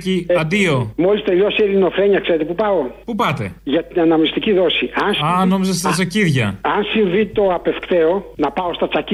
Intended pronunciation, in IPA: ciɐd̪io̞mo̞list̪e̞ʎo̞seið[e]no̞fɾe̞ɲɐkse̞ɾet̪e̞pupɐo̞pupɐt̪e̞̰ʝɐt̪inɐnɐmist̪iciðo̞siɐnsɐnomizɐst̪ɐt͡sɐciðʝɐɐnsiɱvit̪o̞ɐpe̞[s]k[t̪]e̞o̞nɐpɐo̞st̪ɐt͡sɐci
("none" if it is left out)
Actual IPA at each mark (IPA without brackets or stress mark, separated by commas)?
i, f, t̪